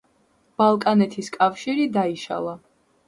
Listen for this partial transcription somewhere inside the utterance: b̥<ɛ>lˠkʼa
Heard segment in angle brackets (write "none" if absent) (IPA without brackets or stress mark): a